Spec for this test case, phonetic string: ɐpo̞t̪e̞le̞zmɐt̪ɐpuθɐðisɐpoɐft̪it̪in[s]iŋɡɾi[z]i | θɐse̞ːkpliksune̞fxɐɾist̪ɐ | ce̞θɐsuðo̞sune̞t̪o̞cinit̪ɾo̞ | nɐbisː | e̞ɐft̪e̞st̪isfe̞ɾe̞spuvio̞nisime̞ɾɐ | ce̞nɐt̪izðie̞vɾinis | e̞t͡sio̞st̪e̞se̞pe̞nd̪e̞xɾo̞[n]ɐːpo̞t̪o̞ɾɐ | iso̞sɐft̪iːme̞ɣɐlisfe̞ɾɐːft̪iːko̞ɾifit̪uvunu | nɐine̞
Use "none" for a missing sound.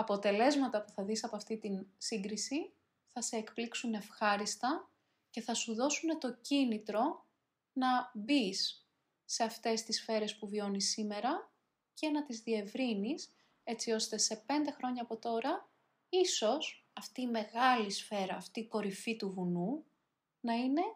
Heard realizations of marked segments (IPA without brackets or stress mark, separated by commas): s, s, ɲ